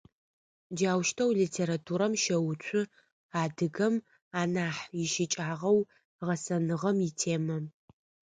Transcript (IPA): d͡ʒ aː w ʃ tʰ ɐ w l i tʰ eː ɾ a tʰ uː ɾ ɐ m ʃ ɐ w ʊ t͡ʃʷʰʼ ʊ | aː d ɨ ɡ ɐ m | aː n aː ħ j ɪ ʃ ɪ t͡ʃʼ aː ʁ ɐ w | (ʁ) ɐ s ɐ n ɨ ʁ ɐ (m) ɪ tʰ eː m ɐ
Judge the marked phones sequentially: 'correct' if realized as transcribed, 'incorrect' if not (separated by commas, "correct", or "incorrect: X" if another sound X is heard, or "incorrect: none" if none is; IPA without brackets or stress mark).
correct, correct